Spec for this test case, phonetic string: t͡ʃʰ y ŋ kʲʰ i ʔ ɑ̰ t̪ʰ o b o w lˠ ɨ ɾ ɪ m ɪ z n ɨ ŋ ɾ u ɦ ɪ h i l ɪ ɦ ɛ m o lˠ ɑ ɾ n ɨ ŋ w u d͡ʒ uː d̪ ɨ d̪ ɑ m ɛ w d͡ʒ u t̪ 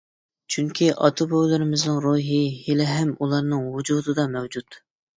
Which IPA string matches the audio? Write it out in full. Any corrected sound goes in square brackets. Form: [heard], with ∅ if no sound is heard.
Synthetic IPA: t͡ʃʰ y ŋ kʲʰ i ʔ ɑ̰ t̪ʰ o b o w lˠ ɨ ɾ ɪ m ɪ z n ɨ ŋ ɾ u ɦ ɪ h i l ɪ ɦ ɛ m [u] lˠ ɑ ɾ n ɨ ŋ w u d͡ʒ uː d̪ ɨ d̪ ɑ m ɛ w d͡ʒ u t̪

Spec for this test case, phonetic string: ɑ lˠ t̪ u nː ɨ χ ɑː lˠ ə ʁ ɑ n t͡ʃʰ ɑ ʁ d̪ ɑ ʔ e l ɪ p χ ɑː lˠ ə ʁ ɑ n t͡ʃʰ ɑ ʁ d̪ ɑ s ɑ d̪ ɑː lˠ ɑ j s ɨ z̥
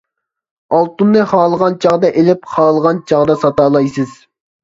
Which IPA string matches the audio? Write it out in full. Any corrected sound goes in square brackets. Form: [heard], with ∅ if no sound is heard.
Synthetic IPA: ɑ lˠ t̪ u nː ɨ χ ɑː lˠ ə ʁ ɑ n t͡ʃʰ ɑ ʁ d̪ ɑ ʔ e l ɪ p χ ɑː lˠ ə ʁ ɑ n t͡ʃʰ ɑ ʁ d̪ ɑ s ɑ [t̪] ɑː lˠ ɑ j s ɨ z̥

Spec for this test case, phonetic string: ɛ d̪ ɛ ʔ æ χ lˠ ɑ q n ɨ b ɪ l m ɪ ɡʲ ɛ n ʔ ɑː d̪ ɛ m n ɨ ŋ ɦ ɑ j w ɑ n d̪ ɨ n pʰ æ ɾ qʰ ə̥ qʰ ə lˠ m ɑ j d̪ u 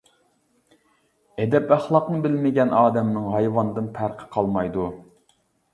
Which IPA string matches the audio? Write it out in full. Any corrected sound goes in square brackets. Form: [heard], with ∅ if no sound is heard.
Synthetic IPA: ɛ d̪ ɛ [p] æ χ lˠ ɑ q n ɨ b ɪ l m ɪ ɡʲ ɛ n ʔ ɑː d̪ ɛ m n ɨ ŋ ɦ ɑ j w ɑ n d̪ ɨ n pʰ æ ɾ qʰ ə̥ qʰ [ɑ] lˠ m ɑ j d̪ u

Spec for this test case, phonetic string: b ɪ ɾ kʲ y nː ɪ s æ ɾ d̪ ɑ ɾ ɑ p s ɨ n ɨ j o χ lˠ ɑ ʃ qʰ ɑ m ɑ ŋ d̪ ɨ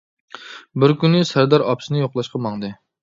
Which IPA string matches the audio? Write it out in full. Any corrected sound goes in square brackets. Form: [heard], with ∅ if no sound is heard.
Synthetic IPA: b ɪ ɾ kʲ y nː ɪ s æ ɾ d̪ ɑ ɾ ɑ p s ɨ n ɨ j o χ lˠ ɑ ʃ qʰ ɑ m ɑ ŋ d̪ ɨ

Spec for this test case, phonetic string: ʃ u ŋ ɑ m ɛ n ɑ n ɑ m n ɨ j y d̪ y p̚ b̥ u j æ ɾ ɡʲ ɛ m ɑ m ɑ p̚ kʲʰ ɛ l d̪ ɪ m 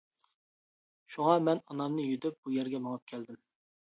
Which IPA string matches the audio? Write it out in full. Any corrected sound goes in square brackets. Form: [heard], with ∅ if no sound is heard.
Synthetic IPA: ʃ u ŋ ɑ m ɛ n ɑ n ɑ m n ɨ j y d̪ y p̚ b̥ u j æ ɾ ɡʲ ɛ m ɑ [ŋ] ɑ p̚ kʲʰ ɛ l d̪ ɪ m

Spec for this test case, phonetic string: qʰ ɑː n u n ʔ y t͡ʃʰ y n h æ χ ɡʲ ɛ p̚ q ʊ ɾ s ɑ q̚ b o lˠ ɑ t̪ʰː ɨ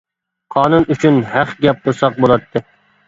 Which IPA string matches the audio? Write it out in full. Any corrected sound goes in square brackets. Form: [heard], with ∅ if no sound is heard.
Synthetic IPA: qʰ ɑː n u n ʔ y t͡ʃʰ y n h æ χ ɡʲ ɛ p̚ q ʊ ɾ s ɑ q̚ b o lˠ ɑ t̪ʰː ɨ

